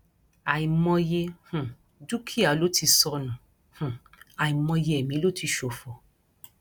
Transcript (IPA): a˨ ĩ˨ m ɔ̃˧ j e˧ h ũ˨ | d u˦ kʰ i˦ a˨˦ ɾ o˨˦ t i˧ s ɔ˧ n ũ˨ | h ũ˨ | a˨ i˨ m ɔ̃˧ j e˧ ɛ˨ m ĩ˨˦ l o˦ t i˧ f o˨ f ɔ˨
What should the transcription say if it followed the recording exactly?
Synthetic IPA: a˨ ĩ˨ m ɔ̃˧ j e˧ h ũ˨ | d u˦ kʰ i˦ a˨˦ l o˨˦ t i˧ s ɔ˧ n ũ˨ | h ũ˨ | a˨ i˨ m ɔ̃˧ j e˧ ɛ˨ m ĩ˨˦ l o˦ t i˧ ʃ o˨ f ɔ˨